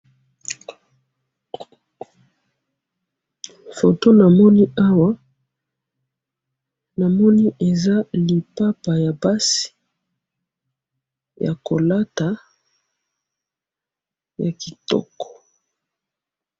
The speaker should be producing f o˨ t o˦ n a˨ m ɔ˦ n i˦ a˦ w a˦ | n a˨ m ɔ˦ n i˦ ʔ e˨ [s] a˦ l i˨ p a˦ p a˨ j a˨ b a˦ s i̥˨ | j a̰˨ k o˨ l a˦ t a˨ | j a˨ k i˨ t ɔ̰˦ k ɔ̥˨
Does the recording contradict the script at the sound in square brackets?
yes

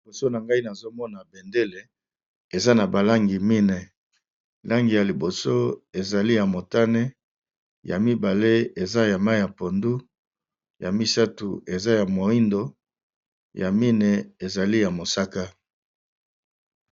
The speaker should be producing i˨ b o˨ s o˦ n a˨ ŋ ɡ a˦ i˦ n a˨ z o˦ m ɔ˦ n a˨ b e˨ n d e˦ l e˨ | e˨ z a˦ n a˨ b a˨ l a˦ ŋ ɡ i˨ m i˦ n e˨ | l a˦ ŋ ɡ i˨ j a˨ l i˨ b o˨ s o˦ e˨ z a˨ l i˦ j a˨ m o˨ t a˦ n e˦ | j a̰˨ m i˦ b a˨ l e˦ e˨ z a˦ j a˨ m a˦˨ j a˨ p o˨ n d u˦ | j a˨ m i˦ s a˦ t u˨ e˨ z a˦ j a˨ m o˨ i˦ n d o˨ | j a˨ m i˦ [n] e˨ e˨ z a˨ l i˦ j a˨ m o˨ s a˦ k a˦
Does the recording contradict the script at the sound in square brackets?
no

